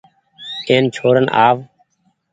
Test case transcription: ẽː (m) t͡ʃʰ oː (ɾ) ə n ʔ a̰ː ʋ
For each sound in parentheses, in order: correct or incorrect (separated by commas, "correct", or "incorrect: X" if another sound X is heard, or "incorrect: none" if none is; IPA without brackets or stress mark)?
incorrect: n, correct